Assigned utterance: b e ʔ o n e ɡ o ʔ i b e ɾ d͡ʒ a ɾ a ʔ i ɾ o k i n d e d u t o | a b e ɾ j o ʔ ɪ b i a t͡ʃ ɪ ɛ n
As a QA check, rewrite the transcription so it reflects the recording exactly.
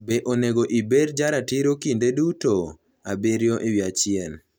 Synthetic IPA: b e ʔ o n e ɡ o ʔ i b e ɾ d͡ʒ a ɾ a t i ɾ o k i n d e d u t o | a b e ɾ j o ʔ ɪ w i a t͡ʃ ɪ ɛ n